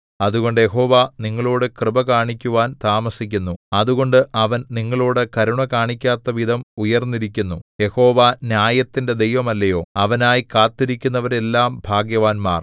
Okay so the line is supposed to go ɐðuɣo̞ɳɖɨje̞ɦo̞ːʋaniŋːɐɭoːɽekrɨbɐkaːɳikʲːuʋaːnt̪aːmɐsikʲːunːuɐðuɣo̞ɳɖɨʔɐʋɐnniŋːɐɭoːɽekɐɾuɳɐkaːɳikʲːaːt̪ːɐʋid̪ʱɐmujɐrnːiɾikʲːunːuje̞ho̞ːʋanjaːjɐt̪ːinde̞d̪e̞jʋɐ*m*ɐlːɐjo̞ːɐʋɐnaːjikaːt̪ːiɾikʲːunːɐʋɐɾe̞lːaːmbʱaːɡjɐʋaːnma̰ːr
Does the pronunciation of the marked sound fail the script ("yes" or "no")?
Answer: no